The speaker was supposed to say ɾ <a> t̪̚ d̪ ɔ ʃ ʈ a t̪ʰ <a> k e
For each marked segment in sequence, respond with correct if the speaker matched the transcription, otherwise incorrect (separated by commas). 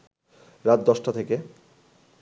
correct, incorrect